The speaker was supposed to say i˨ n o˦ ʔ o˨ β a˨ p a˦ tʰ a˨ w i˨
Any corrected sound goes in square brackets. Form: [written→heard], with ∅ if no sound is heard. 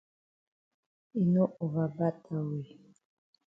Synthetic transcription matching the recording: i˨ n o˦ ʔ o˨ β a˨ [p→b] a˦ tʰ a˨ w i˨